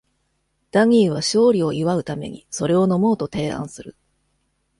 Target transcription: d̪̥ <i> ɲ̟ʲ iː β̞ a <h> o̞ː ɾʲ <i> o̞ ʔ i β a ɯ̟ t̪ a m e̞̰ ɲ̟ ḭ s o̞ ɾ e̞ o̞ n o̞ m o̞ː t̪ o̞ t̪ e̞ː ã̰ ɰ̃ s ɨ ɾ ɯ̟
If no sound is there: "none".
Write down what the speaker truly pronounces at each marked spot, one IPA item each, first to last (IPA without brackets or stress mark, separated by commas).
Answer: a, ɕ, i